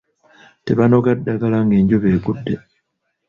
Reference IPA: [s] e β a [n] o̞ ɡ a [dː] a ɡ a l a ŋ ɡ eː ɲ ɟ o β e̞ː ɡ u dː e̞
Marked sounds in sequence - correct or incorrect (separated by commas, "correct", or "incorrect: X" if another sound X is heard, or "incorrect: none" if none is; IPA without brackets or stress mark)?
incorrect: t, correct, correct